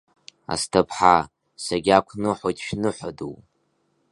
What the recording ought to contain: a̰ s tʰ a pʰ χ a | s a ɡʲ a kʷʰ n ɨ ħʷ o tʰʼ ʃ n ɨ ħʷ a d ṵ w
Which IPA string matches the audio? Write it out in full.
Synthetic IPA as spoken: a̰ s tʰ a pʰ ħ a | s a ɡʲ a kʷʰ n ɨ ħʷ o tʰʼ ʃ n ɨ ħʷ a d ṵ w